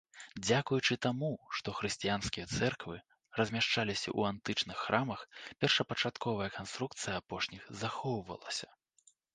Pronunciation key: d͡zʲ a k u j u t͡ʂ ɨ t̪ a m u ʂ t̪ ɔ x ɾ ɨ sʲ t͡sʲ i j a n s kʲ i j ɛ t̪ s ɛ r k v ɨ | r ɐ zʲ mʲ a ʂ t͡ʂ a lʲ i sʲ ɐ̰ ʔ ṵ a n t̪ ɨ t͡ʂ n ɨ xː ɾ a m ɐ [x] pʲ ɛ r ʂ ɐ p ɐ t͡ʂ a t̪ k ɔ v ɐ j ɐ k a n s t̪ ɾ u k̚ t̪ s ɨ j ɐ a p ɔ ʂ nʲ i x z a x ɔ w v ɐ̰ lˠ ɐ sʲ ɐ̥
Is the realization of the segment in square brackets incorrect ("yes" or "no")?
no